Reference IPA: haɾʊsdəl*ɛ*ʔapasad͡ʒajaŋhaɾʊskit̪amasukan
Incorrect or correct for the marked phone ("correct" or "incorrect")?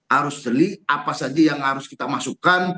incorrect